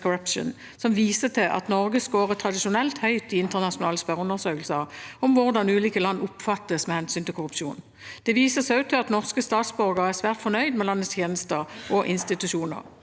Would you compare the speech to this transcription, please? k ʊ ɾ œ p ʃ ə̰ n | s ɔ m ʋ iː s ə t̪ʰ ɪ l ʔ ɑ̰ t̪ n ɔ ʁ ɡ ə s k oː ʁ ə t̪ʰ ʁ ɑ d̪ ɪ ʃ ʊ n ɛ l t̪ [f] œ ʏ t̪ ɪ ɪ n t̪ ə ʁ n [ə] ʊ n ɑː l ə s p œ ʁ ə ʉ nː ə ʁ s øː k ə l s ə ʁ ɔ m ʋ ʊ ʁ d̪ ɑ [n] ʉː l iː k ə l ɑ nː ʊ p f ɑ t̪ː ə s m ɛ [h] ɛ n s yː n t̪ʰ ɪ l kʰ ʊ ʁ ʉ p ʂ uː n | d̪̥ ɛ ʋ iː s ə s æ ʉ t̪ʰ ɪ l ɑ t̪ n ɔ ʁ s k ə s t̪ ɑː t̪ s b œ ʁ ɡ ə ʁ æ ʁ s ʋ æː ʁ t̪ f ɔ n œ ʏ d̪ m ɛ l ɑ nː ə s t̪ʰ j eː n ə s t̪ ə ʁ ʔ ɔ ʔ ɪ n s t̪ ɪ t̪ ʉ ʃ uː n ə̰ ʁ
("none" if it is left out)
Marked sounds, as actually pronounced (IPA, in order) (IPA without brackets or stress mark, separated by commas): h, ɑ, n, h